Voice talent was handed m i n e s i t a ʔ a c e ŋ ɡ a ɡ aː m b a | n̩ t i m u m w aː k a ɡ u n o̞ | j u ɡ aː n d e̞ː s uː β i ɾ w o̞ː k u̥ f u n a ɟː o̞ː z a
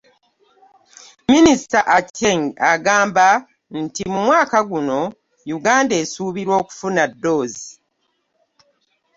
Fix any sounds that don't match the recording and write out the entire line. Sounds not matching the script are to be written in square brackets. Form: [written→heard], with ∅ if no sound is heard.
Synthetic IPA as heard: m i n [e→i] s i t a ʔ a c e ŋ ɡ a ɡ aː m b a | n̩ t i m u m w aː k a ɡ u n o̞ | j u ɡ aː n d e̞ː s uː β i ɾ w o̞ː k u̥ f u n a [ɟː→dː] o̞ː z [a→i]